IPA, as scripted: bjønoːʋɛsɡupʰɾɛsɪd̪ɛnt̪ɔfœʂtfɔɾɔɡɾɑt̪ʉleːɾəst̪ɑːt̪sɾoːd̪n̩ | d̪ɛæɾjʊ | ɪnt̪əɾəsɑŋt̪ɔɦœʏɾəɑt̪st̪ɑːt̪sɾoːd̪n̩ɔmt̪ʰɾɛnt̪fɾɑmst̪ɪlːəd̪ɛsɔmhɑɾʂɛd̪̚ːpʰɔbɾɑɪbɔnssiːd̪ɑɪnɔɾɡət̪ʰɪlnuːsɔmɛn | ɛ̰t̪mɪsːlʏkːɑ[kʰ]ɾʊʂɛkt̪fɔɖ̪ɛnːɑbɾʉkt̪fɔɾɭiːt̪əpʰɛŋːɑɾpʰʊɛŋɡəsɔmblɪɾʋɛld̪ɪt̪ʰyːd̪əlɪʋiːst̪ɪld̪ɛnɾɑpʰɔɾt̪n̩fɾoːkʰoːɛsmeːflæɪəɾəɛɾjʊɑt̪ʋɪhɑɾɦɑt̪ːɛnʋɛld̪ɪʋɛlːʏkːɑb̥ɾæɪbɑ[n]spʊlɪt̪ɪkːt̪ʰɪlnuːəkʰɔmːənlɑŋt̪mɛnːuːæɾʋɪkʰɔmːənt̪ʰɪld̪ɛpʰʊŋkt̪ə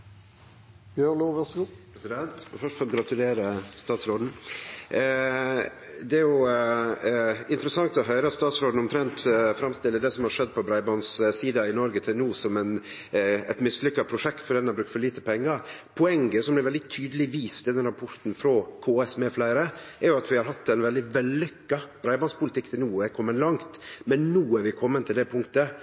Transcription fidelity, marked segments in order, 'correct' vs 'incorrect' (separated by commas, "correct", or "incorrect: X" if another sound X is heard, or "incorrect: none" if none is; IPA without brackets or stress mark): incorrect: pʰ, correct